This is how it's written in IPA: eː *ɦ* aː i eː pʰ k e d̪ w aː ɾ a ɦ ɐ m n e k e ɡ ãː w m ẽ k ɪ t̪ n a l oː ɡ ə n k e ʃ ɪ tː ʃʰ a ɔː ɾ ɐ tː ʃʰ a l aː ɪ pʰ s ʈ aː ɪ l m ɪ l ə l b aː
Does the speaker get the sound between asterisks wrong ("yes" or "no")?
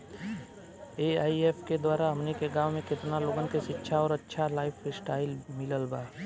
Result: yes